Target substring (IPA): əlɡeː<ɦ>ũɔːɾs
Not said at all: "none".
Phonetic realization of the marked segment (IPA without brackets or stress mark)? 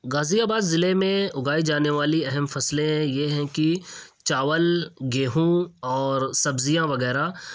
ɦ